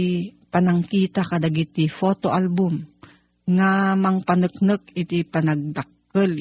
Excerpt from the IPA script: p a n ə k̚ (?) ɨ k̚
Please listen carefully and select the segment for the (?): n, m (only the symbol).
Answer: n